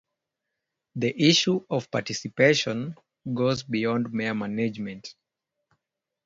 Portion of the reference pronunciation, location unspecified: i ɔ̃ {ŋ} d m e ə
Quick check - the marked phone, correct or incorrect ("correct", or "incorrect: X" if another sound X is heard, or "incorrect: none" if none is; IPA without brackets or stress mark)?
incorrect: n